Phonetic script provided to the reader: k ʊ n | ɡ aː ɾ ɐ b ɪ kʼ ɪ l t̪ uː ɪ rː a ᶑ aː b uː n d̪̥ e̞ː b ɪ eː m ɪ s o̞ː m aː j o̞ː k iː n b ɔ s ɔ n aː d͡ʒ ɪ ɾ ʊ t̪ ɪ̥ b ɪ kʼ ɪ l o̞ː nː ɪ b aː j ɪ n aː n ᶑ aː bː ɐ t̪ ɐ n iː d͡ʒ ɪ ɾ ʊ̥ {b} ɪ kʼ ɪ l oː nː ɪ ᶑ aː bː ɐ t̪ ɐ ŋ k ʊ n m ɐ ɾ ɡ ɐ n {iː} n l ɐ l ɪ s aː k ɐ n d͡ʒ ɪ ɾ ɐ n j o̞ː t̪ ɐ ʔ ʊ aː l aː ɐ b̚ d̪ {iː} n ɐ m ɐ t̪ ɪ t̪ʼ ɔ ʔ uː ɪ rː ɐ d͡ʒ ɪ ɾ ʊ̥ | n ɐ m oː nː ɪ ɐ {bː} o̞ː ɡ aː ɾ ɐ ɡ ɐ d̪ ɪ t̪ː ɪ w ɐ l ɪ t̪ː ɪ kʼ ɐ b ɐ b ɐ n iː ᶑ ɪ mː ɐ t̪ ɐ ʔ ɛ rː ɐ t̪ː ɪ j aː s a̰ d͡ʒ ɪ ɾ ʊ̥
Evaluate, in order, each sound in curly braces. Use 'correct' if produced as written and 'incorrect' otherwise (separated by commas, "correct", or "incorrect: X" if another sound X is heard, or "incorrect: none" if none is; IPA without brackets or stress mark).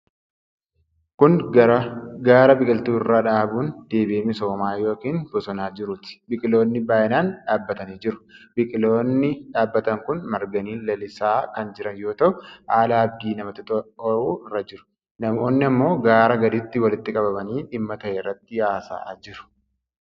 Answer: correct, correct, correct, incorrect: mː